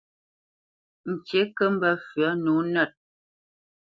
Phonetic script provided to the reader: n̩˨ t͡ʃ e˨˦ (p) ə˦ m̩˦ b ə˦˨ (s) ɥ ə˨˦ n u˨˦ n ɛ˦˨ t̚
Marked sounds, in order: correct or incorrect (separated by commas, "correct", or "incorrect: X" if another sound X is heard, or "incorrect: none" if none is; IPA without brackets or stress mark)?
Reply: incorrect: k, incorrect: f